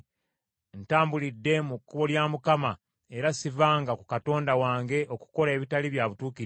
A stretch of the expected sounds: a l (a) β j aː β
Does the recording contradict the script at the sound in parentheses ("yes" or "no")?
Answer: yes